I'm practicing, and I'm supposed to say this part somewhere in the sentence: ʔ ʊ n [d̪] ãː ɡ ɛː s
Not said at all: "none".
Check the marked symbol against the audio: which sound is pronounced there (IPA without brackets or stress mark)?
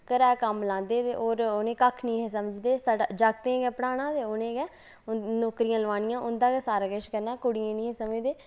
d̪